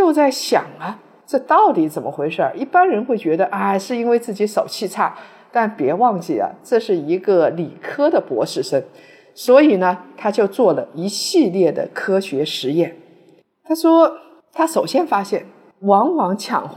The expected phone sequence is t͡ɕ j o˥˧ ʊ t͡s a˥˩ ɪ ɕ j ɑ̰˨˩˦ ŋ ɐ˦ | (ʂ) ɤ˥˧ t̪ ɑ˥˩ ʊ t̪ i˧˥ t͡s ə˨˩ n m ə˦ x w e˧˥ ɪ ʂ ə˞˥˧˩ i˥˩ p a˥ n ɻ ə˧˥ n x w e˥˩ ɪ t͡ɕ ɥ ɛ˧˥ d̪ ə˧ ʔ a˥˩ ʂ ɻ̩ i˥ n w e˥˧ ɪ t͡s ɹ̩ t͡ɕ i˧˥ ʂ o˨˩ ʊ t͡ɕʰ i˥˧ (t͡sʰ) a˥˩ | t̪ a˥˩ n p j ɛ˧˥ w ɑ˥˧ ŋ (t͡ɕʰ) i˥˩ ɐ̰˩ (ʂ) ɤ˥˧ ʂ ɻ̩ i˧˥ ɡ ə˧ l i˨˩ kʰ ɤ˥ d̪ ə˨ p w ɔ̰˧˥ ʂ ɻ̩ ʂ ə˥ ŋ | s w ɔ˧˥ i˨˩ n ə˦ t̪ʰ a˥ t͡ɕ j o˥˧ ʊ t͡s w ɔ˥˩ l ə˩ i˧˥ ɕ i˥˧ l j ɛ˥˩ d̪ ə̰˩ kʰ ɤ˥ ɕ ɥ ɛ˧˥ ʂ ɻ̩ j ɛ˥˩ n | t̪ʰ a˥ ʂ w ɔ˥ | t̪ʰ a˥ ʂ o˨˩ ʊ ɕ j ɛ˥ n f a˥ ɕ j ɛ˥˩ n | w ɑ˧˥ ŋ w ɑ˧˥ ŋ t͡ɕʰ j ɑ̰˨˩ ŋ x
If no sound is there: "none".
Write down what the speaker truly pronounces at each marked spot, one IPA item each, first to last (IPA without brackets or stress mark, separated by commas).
ʈ͡ʂ, t͡sʰ, t͡ɕ, ʈ͡ʂ